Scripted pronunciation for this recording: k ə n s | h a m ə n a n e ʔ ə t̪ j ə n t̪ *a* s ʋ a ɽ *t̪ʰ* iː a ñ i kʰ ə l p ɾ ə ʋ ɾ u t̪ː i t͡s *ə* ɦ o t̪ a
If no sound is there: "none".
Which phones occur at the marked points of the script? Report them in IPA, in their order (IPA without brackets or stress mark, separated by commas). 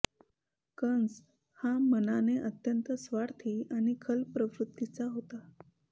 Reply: ə, t̪ʰ, a